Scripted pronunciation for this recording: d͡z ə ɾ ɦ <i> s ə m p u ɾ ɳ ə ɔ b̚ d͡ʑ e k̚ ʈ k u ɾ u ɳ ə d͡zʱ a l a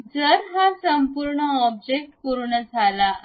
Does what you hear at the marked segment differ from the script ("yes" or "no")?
yes